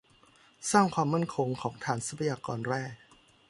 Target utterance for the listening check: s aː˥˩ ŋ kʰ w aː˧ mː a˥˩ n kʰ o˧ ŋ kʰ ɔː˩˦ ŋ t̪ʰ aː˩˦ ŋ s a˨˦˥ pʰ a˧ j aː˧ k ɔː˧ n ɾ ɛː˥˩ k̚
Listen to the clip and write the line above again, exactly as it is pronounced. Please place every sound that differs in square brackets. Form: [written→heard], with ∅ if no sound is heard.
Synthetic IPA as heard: s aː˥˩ ŋ kʰ w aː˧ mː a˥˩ n kʰ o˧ ŋ kʰ ɔː˩˦ ŋ t̪ʰ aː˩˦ [ŋ→n] s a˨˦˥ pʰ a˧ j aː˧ k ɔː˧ n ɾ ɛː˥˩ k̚